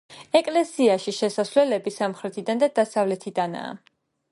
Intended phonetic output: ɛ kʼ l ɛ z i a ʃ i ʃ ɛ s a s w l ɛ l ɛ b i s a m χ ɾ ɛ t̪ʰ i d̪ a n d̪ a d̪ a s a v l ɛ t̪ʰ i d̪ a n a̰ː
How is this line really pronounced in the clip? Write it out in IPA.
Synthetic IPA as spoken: ɛ kʼ l ɛ s i a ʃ i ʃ ɛ s a s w l ɛ l ɛ b i s a m χ ɾ ɛ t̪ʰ i d̪ a n d̪ a d̪ a s a v l ɛ t̪ʰ i d̪ a n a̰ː